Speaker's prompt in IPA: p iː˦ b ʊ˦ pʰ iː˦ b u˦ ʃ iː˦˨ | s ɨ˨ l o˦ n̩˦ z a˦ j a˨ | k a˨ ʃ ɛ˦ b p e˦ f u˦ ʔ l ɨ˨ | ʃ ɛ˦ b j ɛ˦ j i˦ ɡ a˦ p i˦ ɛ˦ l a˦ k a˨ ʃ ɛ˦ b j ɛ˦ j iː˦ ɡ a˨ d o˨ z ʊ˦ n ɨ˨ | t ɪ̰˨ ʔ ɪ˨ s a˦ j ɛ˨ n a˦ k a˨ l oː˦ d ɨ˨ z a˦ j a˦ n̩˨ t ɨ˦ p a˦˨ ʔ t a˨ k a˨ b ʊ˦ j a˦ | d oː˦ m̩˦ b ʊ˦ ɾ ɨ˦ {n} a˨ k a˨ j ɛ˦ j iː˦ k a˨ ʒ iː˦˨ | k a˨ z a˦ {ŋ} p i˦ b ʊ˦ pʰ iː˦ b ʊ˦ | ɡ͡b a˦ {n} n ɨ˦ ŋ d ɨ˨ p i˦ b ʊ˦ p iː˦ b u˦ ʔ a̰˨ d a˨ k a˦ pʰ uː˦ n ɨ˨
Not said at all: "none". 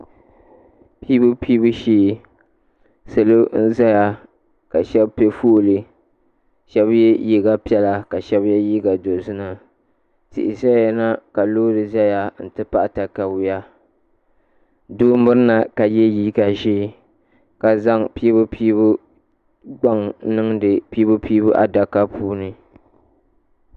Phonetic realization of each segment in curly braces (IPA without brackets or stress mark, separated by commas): n, ŋ, ŋ